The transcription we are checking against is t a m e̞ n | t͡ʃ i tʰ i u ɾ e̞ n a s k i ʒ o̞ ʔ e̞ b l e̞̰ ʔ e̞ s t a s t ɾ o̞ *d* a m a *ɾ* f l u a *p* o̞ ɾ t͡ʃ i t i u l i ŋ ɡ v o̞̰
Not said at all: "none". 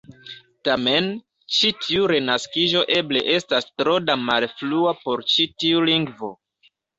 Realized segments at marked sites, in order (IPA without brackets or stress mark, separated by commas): d, l, p